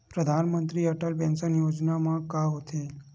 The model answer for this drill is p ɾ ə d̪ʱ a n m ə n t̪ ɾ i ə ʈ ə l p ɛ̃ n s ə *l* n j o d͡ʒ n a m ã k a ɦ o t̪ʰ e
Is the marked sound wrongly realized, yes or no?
yes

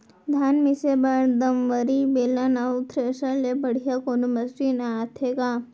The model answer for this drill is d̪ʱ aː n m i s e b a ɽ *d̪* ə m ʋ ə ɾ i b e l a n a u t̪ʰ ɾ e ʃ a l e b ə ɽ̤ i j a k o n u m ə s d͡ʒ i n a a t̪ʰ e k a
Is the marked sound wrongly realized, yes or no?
no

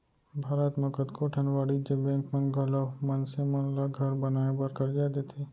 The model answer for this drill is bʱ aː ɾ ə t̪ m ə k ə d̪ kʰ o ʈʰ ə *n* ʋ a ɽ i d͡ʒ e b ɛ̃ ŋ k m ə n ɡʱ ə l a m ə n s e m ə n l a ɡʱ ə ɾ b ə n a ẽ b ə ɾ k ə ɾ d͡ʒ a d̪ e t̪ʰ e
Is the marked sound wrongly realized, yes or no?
no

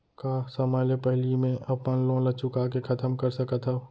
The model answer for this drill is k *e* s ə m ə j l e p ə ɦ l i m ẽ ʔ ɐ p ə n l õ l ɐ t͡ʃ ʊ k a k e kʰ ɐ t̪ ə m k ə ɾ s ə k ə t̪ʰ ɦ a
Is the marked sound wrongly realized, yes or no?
yes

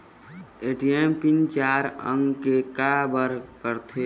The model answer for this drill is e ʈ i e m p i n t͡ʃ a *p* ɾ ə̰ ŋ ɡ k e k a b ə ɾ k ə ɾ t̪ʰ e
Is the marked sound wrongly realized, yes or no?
yes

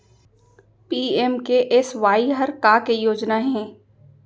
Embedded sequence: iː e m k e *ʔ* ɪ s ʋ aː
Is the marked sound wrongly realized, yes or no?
no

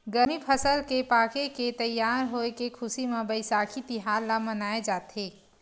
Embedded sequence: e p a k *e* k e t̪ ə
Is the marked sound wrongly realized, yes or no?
no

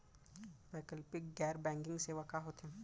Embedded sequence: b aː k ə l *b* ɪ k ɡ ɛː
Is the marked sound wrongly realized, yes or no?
yes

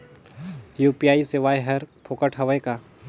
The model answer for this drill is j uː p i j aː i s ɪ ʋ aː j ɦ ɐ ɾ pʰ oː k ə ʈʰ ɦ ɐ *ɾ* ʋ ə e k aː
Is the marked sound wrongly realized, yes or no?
yes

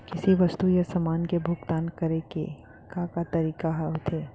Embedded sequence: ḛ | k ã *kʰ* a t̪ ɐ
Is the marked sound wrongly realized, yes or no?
yes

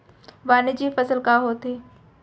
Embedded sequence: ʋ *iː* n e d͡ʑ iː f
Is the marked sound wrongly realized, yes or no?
yes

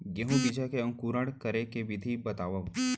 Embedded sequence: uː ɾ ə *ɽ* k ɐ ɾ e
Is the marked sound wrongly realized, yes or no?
no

